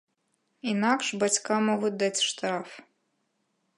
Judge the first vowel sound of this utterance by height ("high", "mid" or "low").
high